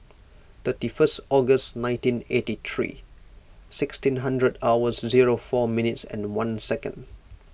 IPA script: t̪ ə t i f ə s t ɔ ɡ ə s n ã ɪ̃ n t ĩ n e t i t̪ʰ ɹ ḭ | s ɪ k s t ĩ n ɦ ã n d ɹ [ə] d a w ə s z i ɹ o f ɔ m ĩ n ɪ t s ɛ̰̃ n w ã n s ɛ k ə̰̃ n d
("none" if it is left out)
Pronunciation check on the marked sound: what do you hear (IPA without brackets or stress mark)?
ə